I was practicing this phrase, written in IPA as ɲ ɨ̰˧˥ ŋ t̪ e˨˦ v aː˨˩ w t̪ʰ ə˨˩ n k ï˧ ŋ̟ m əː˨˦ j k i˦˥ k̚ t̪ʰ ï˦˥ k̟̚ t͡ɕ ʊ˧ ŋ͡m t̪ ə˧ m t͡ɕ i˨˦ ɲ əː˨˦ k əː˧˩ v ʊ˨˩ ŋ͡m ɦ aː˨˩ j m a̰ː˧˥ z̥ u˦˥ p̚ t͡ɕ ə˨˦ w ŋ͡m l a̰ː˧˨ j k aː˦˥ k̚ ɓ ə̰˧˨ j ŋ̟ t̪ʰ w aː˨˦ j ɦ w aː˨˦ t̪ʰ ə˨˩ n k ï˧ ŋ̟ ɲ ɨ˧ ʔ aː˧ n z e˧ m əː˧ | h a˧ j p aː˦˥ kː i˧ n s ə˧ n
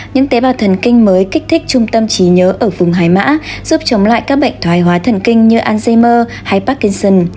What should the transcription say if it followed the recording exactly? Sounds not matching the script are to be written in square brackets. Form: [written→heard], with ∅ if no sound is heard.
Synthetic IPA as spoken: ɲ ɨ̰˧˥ ŋ t̪ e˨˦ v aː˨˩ w t̪ʰ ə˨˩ n k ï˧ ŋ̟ m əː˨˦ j k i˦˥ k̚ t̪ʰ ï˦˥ k̟̚ t͡ɕ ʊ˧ ŋ͡m t̪ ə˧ m t͡ɕ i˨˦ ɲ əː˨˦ [k→ʔ] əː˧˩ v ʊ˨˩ ŋ͡m ɦ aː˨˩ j m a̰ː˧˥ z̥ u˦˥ p̚ t͡ɕ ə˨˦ w ŋ͡m l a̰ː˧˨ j k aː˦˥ k̚ ɓ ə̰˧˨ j ŋ̟ t̪ʰ w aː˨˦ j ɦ w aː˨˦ t̪ʰ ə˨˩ n k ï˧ ŋ̟ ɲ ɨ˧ ʔ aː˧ n z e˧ m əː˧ | h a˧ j p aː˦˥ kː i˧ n s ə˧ n